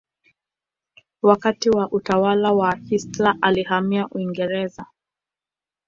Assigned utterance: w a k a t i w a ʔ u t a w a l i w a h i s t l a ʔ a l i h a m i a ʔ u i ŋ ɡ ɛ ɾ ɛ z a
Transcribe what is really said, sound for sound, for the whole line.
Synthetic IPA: w a k a t i w a ʔ u t a w a l a w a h i s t l a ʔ a l i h a m i a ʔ u i ŋ ɡ ɛ ɾ ɛ z a